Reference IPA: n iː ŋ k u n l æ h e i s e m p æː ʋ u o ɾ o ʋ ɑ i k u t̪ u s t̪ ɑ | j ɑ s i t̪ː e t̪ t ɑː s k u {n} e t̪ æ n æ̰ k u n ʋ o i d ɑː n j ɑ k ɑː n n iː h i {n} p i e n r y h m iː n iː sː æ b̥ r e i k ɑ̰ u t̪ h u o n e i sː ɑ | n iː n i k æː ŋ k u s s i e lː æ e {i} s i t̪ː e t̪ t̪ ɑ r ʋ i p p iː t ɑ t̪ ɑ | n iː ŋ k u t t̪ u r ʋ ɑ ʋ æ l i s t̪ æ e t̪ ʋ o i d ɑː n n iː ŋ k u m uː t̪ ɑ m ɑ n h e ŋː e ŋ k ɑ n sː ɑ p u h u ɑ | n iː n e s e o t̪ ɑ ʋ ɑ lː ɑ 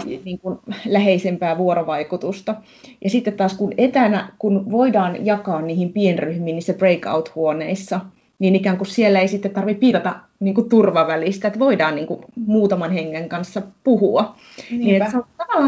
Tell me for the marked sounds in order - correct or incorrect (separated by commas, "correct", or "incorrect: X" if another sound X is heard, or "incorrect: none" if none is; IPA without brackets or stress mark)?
correct, incorrect: m, correct